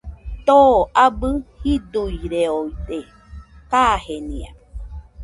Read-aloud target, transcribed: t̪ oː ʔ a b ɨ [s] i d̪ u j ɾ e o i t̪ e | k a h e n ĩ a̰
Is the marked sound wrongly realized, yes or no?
yes